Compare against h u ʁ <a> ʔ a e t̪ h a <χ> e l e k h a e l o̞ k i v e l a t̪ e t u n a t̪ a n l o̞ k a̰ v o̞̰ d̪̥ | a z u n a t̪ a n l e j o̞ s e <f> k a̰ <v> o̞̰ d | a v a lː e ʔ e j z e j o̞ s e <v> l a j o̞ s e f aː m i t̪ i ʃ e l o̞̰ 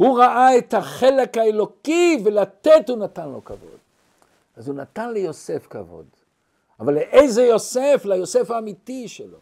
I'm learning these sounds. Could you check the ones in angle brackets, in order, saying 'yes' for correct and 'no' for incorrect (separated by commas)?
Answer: yes, yes, yes, yes, no